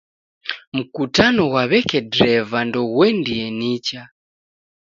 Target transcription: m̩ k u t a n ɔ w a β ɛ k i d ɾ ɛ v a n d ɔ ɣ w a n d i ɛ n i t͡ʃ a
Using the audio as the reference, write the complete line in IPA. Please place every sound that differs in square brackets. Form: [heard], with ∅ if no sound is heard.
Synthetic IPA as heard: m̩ k u t a n ɔ w a β ɛ k [ɛ] d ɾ ɛ v a n d ɔ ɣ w [ɛ] n d i ɛ n i t͡ʃ a